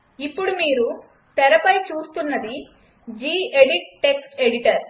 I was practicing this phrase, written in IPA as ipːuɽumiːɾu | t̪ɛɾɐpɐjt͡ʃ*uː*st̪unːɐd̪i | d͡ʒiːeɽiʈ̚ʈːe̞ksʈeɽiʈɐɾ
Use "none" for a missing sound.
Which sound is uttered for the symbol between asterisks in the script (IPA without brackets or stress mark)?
uː